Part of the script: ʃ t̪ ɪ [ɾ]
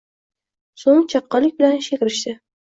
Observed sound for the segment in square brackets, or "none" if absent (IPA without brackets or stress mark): none